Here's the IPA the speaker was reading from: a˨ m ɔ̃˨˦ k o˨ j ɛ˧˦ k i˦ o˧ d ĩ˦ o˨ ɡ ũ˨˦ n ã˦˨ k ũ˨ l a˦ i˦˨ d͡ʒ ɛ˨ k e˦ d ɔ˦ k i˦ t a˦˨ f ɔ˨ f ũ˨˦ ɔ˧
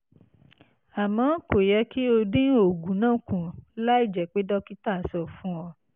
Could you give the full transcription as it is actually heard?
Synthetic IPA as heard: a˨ m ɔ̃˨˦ k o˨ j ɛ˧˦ k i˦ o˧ d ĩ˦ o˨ ɡ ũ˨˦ n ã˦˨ k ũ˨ l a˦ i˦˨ d͡ʒ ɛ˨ k͡p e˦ d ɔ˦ k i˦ t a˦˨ s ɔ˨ f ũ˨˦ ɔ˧